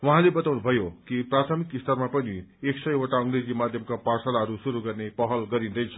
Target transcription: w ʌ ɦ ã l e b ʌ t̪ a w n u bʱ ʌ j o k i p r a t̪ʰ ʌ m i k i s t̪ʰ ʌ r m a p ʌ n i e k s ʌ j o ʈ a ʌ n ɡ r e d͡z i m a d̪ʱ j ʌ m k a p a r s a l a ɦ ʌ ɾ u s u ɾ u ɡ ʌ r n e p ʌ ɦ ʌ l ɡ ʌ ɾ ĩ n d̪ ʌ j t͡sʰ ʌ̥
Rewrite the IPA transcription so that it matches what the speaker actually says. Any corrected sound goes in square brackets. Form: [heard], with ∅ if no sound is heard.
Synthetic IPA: w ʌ ɦ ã l e b ʌ t̪ a w n u bʱ ʌ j o k i p r a t̪ʰ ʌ m i k i s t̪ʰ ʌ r m a p ʌ n i e k s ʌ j o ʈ a ʌ [ŋ] ɡ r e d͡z i m a d̪ʱ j ʌ m k a p a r s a l a ɦ ʌ ɾ u s u ɾ u ɡ ʌ r n e p ʌ ɦ ʌ l ɡ ʌ ɾ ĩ n d̪ ʌ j t͡sʰ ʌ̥